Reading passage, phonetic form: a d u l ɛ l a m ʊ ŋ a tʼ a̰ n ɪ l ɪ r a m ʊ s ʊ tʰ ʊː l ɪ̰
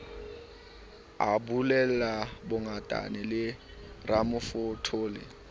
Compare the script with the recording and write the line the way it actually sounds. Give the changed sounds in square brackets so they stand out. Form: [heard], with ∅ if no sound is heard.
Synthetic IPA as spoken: a [b] u l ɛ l a [b] ʊ ŋ a tʼ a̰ n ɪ l ɪ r a m ʊ [f] ʊ tʰ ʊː l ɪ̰

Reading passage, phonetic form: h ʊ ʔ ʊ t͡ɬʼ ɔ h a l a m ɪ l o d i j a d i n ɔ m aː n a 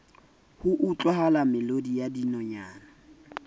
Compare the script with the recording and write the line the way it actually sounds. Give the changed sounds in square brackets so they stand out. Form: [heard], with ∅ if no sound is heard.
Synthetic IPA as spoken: h ʊ ʔ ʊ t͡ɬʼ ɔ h a l a m ɪ l o d i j a d i n ɔ [ɲ] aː n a

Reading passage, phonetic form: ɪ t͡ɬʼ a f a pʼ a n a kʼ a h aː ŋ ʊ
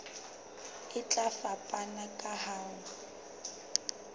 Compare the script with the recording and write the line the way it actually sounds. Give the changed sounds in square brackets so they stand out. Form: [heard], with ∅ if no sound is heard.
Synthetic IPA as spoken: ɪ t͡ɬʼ a f a pʼ a n a kʼ a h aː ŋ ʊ

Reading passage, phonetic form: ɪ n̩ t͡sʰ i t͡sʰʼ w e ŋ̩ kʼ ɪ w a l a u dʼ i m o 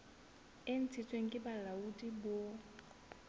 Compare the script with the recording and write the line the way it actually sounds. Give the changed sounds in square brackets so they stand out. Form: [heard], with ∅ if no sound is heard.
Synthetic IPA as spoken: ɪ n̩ t͡sʰ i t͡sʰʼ w e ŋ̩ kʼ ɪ [b] a l a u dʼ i [b] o

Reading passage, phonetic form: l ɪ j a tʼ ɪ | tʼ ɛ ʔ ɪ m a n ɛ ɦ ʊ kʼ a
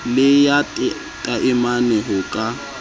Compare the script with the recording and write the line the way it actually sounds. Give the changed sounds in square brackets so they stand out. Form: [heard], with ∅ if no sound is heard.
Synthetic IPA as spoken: l ɪ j a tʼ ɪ | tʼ [a] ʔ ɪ m a n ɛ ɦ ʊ kʼ a

